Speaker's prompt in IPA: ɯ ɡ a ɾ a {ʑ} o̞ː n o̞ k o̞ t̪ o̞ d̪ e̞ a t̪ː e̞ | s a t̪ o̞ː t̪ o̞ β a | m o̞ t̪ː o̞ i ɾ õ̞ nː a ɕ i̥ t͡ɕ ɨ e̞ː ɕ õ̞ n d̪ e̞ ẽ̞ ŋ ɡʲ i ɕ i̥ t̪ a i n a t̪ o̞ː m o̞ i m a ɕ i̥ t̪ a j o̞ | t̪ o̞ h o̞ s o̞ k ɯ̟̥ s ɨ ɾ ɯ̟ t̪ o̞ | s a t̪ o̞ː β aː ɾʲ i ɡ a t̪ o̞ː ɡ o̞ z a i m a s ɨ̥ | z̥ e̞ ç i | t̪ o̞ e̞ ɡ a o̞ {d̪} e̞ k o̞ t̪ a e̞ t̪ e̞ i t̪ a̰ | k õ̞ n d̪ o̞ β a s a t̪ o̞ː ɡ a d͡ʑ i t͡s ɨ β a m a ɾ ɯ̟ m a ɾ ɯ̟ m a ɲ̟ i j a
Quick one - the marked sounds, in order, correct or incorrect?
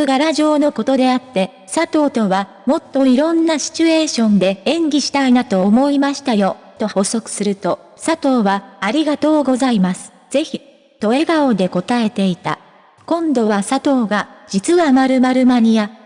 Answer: correct, correct

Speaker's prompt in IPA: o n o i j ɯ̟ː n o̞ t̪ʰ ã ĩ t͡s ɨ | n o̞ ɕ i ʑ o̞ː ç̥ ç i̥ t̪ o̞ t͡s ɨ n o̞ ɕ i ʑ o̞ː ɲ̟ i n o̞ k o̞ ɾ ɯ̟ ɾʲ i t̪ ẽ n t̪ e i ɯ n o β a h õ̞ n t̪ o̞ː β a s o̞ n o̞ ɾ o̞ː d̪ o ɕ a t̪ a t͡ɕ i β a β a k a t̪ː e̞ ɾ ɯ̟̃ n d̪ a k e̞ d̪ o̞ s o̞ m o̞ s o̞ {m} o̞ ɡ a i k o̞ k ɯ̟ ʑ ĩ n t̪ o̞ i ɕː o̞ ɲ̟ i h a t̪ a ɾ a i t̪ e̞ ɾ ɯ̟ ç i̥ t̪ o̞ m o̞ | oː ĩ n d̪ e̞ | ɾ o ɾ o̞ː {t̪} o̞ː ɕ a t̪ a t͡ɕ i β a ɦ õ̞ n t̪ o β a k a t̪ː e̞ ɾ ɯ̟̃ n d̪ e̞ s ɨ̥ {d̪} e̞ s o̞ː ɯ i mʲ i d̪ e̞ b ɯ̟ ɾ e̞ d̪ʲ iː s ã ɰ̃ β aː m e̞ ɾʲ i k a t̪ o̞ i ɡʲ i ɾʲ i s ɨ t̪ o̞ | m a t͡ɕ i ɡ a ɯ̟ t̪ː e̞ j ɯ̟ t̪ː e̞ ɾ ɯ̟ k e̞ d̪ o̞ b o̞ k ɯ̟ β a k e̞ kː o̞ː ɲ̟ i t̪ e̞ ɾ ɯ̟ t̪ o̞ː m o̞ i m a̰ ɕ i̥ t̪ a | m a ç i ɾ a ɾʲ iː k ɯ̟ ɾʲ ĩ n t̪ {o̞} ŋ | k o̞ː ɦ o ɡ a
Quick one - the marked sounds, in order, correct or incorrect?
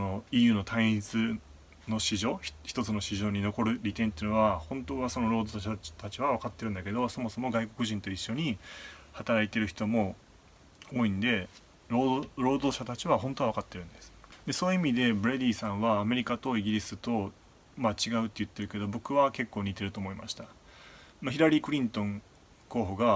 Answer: correct, incorrect: d̪, correct, incorrect: õ̞

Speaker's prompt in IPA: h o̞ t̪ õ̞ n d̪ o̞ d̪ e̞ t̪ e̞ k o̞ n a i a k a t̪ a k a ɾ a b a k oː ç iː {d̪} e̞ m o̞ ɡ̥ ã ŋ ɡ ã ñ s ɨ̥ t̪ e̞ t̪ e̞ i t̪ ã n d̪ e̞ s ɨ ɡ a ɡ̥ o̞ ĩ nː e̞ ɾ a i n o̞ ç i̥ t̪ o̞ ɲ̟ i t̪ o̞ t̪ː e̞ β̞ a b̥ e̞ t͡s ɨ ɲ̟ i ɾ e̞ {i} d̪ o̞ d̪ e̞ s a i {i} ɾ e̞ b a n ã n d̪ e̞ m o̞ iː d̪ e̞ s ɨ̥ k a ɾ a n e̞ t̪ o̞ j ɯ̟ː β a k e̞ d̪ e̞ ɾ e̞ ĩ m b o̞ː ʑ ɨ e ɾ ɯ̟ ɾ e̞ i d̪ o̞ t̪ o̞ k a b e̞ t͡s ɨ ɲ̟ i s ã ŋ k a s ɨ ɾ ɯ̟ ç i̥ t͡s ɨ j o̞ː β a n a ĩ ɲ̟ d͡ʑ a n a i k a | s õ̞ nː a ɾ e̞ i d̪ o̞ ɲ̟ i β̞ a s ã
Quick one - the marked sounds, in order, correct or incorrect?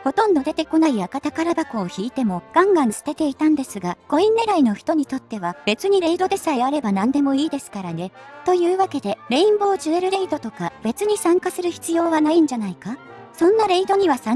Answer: incorrect: t̪, correct, incorrect: a

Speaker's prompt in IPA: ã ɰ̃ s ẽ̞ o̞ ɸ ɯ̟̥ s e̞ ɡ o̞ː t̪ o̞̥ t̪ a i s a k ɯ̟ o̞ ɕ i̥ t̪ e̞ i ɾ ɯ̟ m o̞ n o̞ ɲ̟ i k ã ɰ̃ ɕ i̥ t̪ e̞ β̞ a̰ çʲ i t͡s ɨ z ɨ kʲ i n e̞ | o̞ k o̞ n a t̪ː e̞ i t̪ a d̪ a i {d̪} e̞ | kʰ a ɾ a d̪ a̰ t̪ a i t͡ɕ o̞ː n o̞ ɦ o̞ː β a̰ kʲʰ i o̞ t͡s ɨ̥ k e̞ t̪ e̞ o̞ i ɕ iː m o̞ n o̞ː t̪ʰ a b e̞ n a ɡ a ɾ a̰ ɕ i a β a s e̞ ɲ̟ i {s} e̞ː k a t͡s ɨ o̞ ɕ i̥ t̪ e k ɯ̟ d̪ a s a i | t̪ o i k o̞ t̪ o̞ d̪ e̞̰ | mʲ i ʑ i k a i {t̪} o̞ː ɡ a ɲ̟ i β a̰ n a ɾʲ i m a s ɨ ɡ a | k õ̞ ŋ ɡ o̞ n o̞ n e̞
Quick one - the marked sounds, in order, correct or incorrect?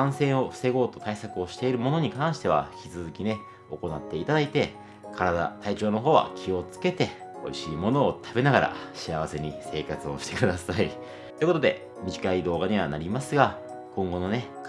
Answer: incorrect: t̪, correct, incorrect: d̪

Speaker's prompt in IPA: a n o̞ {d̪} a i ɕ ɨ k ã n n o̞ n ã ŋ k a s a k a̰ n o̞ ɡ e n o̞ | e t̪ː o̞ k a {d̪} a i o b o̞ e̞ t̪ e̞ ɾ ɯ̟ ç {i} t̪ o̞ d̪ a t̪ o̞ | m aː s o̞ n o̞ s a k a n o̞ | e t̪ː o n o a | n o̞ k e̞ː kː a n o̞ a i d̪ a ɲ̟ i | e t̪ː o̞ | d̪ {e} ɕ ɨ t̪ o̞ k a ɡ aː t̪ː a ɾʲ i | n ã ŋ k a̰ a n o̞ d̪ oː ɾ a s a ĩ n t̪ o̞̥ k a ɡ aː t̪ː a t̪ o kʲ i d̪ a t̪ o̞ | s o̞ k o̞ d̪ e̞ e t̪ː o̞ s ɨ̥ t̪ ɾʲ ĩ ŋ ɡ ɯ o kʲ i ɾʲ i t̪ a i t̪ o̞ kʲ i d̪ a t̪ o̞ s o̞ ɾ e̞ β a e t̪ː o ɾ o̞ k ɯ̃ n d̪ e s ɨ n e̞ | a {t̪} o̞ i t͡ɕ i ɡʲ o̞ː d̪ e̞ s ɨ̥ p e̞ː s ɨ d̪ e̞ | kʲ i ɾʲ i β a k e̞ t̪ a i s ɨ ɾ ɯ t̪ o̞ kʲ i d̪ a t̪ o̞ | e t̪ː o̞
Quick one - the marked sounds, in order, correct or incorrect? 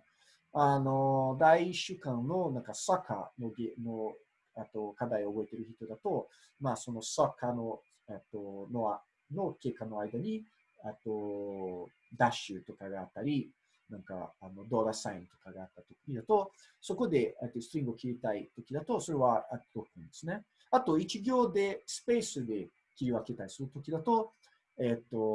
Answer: correct, correct, correct, incorrect: a, correct

